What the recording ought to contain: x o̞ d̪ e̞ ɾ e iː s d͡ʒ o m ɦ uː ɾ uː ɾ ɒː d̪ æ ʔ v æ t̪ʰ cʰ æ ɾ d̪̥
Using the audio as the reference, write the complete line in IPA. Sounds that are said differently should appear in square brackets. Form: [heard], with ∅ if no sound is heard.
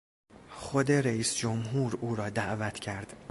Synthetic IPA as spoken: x o̞ d̪ e̞ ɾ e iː s d͡ʒ o m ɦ uː ɾ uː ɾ ɒː d̪ æ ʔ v æ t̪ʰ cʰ æ ɾ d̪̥